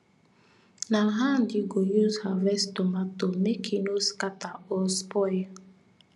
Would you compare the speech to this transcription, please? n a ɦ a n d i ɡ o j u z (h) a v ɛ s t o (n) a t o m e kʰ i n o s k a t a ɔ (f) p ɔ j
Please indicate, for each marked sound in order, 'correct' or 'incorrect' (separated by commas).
correct, incorrect, incorrect